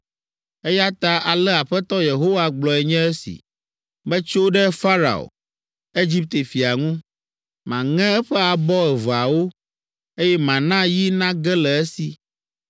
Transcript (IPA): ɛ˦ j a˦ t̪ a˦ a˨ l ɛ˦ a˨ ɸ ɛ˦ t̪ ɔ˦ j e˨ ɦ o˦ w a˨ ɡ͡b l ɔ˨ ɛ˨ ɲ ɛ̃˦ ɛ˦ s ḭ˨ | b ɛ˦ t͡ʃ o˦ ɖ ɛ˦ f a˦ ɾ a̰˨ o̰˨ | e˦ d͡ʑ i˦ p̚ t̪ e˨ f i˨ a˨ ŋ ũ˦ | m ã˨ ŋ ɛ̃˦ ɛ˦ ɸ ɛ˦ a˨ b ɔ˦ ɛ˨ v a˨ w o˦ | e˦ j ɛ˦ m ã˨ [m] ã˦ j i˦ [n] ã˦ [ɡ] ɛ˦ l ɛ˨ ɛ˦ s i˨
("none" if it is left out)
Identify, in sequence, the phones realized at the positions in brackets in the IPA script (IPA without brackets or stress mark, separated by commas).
n, n, ɡ